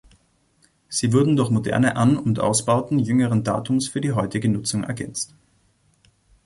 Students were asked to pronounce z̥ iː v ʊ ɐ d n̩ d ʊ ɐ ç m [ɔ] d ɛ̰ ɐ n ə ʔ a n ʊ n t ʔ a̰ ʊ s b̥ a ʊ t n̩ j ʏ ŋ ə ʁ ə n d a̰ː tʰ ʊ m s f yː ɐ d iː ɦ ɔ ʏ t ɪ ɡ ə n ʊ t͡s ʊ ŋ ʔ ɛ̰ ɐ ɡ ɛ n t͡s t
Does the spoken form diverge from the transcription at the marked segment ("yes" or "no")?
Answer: yes